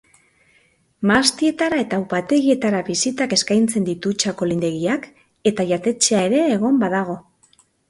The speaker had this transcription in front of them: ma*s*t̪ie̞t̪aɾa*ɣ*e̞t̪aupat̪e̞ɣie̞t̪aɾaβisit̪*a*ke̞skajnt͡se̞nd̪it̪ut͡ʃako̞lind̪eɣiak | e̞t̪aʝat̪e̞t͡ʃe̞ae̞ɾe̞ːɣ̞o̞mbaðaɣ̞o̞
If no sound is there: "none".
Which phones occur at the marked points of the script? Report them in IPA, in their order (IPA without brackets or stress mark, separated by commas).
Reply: s, none, a